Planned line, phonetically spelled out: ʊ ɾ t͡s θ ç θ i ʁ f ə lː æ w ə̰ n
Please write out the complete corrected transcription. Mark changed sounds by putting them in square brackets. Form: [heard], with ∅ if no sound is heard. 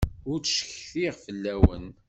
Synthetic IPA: ʊ ɾ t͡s [ʃ] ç θ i ʁ f ə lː æ w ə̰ n